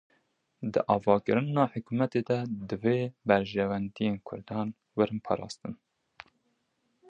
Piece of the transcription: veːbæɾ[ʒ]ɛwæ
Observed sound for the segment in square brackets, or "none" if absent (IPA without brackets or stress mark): ʒ